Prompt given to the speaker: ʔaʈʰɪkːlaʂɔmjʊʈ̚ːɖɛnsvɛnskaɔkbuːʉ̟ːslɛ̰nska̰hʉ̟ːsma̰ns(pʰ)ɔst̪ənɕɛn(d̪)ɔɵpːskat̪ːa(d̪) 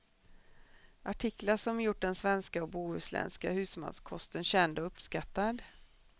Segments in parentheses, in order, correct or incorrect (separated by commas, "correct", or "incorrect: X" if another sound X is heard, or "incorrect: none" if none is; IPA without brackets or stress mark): incorrect: kʰ, correct, correct